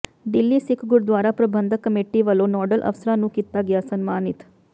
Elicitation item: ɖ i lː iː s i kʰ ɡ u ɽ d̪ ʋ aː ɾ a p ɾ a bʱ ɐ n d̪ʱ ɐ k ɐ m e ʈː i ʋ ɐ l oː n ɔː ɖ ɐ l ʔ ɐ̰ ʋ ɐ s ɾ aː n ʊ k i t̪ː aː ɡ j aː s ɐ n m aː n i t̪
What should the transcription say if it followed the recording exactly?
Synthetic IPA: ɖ i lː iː s i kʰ ɡ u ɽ d̪ ʋ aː ɾ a p ɾ ɐ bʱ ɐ n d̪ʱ ɐ k ɐ m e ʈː i ʋ ɐ l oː n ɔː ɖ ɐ l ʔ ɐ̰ ʋ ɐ s ɾ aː n u k i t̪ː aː ɡ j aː s ɐ n m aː n i t̪